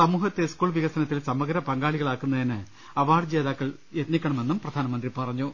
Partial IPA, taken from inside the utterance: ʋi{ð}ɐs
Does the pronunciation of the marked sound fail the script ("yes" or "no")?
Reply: yes